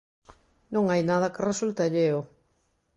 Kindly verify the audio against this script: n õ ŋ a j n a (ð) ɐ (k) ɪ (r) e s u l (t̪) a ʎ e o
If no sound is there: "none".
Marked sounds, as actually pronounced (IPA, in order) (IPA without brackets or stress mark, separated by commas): ð, k, r, t̪